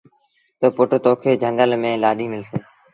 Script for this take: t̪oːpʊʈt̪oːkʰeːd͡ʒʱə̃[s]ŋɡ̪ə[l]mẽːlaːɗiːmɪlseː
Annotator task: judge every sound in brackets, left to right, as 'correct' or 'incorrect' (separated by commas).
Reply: incorrect, correct